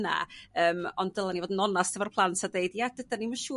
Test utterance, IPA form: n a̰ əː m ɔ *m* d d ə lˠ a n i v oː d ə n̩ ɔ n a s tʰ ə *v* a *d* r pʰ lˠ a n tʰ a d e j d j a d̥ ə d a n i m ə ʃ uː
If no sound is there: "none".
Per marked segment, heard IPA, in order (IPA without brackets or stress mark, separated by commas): n, v, none